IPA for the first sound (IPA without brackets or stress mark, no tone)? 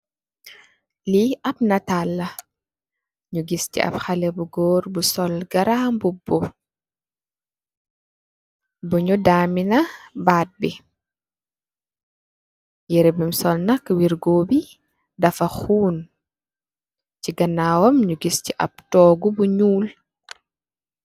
l